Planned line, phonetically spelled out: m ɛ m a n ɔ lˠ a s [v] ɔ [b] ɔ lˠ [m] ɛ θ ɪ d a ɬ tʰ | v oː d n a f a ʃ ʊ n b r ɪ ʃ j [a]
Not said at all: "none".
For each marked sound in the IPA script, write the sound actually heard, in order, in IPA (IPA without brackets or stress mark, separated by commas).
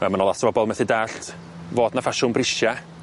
v, b, m, a